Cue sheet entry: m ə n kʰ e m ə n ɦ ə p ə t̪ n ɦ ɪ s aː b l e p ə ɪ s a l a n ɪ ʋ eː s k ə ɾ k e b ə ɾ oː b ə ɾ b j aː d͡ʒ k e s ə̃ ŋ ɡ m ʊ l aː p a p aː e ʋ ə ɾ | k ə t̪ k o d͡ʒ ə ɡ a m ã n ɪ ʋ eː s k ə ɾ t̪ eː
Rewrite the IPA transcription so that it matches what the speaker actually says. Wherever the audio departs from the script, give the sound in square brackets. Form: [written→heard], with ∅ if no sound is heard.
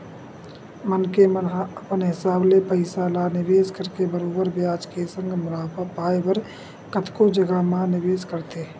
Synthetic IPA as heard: m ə n [kʰ→k] e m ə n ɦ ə p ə [t̪→∅] n ɦ ɪ s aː b l e p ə ɪ s a l a n ɪ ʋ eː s k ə ɾ k e b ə ɾ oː b ə ɾ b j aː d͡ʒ k e s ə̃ ŋ ɡ m ʊ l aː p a p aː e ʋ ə ɾ | k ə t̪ k o d͡ʒ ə ɡ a m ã n ɪ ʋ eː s k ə ɾ t̪ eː